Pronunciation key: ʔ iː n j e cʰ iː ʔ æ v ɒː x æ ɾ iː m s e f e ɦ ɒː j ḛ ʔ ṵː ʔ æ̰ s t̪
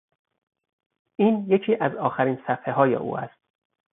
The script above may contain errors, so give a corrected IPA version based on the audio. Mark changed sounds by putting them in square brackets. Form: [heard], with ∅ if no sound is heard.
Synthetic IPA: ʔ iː n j e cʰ iː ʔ æ [z] ɒː x æ ɾ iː [n] s [æ] f e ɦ ɒː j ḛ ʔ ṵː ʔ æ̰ s t̪

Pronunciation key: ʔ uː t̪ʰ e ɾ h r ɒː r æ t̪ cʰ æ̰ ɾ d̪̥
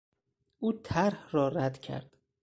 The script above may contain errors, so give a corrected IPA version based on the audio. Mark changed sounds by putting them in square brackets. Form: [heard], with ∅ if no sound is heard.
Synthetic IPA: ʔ uː t̪ʰ [æ] ɾ h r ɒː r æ [d̪] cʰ æ̰ ɾ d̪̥

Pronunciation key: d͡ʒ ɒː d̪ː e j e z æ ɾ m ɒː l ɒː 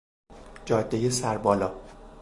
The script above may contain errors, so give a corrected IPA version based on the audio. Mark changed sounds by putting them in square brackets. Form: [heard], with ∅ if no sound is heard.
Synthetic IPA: d͡ʒ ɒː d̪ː e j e [s] æ ɾ [b] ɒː l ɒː

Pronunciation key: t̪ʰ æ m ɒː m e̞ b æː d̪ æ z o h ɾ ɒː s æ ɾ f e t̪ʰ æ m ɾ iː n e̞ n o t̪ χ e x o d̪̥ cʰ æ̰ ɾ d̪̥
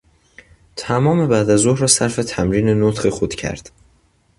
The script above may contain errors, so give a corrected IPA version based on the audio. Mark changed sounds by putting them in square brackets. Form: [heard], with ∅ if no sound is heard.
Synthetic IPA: t̪ʰ æ m ɒː m e̞ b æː d̪ æ z o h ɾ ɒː s æ ɾ f e t̪ʰ æ m ɾ iː n e̞ n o t̪ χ e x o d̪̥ cʰ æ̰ ɾ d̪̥

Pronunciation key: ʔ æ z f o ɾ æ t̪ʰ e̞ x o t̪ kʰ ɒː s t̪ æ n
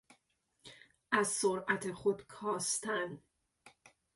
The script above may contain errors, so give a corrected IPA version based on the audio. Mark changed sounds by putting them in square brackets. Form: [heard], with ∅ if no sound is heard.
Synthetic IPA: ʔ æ z [s] o ɾ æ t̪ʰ e̞ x o [d̪] kʰ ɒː s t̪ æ n

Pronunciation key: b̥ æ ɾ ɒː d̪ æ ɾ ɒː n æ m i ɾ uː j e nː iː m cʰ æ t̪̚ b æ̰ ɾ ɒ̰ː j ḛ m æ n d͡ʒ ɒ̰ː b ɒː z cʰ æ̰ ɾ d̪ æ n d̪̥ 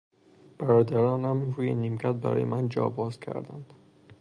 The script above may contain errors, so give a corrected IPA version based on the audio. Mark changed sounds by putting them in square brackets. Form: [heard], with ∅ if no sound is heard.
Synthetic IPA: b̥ æ ɾ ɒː d̪ æ ɾ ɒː n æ m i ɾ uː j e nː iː m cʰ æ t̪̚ b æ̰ ɾ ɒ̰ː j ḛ m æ n d͡ʒ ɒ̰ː b ɒː z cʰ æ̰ ɾ d̪ æ n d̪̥

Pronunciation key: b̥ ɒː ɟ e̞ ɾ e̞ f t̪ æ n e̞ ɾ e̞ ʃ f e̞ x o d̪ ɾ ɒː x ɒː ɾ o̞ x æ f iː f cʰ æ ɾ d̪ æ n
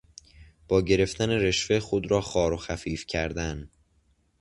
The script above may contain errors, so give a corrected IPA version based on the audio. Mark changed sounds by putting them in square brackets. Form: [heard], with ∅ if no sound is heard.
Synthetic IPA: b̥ ɒː ɟ e̞ ɾ e̞ f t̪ æ n e̞ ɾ e̞ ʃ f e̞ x o d̪ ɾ ɒː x ɒː ɾ o̞ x æ f iː f cʰ æ ɾ d̪ æ n

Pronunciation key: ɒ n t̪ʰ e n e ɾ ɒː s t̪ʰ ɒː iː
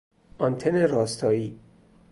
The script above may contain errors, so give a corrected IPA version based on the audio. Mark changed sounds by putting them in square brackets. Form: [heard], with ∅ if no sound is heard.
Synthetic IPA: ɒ n t̪ʰ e n e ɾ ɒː s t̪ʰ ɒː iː

